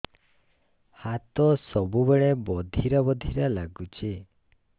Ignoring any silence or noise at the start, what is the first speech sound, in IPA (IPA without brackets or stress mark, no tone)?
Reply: h